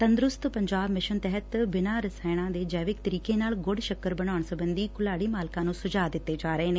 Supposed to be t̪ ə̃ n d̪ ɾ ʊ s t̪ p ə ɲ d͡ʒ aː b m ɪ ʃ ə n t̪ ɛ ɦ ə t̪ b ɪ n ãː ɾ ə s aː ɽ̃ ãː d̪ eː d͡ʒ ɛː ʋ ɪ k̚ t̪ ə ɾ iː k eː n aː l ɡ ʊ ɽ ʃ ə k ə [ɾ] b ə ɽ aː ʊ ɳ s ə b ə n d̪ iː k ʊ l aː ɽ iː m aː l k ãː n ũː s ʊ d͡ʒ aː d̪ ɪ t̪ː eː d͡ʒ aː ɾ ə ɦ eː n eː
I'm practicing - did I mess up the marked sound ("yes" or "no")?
no